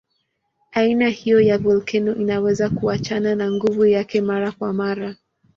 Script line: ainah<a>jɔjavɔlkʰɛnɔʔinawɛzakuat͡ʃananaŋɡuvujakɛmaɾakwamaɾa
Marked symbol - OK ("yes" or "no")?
no